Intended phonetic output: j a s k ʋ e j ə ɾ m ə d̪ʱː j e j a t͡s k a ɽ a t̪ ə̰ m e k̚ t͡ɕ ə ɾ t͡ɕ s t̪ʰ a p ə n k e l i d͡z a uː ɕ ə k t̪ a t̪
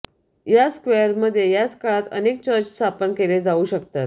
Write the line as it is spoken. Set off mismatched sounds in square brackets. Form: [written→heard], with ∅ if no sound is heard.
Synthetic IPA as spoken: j a s k ʋ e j ə ɾ m ə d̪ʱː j e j a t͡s k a [ɽ→ɭ] a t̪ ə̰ [m→n] e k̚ t͡ɕ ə ɾ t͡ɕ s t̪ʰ a p ə n k e l [i→e] d͡z a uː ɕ ə k t̪ a t̪